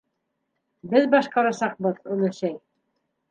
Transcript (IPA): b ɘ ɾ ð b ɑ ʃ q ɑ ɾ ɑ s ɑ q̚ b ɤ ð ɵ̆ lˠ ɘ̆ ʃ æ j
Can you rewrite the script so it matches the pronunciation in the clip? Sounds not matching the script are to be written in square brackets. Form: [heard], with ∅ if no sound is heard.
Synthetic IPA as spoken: b ɘ [∅] ð b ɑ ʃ q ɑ ɾ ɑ s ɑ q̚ b ɤ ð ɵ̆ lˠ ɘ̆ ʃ æ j